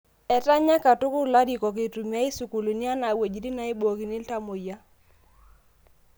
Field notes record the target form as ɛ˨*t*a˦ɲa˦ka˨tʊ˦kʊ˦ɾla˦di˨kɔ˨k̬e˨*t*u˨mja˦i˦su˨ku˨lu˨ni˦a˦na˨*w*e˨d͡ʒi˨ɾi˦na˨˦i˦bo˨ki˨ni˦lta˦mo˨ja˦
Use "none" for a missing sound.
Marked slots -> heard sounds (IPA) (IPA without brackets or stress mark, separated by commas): t, t, w